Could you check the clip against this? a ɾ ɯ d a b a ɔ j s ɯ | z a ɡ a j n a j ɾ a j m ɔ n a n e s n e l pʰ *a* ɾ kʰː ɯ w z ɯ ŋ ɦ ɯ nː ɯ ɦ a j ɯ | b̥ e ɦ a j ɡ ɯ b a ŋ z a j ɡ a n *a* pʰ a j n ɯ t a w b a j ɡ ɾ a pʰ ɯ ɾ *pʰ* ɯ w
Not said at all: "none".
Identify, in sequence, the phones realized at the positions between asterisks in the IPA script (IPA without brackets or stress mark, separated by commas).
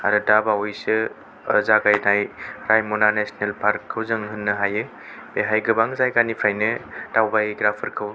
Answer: a, i, kʰ